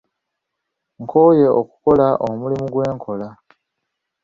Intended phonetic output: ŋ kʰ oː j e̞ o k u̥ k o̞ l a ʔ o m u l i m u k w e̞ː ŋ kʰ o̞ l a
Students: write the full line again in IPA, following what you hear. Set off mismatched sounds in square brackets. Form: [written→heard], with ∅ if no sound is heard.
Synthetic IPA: ŋ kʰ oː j e̞ o k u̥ k o̞ l a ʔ o m u l i m u [k→ɡ] w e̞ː ŋ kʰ o̞ l a